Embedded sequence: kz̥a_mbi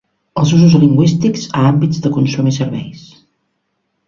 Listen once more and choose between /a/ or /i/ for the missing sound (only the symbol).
a